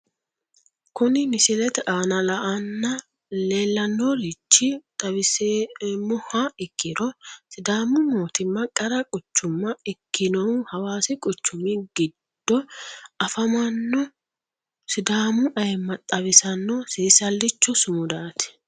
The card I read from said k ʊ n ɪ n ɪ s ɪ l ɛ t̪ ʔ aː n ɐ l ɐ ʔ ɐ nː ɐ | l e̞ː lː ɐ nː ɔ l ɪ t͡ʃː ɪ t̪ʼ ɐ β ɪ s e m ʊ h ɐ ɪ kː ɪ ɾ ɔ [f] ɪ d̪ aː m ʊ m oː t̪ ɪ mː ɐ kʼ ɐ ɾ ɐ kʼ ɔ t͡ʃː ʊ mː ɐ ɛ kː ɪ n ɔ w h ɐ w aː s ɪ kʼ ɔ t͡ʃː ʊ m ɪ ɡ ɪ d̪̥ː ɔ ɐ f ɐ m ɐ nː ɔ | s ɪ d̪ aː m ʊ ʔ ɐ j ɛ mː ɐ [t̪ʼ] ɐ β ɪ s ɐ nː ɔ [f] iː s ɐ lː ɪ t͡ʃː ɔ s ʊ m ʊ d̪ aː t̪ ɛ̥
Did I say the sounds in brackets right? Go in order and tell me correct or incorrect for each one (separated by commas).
incorrect, correct, incorrect